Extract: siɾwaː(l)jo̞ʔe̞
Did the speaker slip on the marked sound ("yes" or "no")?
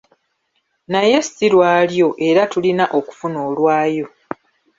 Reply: no